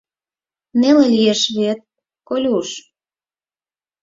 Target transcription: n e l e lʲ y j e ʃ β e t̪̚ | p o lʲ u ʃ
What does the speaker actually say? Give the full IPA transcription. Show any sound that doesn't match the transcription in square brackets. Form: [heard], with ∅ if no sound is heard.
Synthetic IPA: n e l e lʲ [i] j e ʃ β e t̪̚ | [k] o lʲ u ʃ